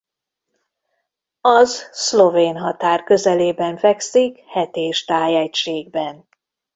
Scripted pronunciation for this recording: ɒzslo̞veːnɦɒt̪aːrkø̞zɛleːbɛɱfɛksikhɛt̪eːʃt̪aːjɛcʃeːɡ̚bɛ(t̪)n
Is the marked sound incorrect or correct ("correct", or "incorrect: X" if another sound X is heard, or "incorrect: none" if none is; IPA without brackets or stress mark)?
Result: incorrect: none